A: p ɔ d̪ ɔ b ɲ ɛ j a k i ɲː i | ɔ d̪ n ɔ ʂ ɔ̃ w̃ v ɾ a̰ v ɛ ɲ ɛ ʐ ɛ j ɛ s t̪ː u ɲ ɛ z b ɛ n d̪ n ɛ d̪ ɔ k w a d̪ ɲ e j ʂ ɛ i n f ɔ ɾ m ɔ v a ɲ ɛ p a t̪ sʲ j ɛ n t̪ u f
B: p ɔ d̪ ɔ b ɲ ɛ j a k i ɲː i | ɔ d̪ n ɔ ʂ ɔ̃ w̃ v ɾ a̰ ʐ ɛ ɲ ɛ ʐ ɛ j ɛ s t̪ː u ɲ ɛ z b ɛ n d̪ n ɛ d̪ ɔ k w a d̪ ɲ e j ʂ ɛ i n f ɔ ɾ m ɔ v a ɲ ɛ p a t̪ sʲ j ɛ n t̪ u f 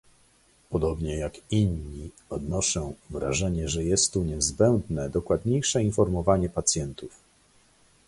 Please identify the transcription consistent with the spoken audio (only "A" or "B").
B